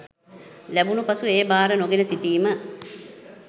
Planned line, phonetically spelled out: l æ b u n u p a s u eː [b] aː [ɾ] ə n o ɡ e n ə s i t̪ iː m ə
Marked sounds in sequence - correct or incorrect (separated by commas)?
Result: correct, correct